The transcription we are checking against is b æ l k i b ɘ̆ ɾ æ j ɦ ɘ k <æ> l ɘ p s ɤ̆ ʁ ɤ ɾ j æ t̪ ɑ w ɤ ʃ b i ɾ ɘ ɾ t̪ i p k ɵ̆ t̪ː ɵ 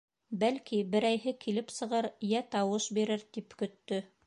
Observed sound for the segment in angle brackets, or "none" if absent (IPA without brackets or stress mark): i